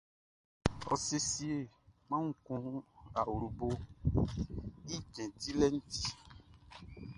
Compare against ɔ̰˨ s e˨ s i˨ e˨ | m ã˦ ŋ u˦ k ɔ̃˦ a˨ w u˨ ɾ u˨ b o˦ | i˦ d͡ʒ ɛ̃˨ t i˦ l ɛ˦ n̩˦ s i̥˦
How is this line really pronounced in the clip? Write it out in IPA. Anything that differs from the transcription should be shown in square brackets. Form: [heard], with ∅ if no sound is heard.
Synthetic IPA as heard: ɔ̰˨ s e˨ s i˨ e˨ | m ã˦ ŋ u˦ k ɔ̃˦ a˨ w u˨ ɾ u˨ b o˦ | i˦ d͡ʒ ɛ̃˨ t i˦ l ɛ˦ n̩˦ [t] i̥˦